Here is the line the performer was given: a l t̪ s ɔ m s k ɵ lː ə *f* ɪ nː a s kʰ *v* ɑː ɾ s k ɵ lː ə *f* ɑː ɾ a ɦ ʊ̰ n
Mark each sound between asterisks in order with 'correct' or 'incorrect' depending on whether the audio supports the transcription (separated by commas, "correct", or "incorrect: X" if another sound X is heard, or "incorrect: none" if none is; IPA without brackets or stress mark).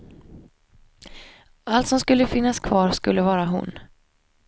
correct, correct, incorrect: v